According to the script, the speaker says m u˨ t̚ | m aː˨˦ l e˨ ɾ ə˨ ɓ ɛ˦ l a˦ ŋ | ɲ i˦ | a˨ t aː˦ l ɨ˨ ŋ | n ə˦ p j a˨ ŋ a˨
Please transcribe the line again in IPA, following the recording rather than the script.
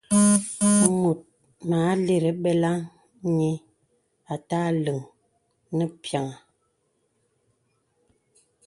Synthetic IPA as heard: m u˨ t̚ | m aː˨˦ l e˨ ɾ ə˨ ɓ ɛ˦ l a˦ ŋ | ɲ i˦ | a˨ t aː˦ l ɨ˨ ŋ | n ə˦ p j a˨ ŋ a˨